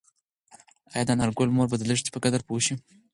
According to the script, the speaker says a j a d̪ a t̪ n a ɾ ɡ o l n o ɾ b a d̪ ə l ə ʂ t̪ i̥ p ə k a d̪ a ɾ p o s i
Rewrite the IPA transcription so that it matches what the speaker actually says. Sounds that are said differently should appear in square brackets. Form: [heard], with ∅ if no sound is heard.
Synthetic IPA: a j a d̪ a [∅] n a ɾ ɡ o l [m] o ɾ b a d̪ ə l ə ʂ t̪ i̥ p ə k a d̪ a ɾ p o [ʃ] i